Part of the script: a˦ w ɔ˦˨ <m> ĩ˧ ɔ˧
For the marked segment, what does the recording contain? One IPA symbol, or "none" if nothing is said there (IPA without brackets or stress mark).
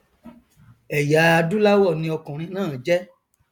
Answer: n